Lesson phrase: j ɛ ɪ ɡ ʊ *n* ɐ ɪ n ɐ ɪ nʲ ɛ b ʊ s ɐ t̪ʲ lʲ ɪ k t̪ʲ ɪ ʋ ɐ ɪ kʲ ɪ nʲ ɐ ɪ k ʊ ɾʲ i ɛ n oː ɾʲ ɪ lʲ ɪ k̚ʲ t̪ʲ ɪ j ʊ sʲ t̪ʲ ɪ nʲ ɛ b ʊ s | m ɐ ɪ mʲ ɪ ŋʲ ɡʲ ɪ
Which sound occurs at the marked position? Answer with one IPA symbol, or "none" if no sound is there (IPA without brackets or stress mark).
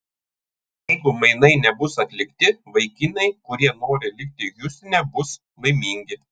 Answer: m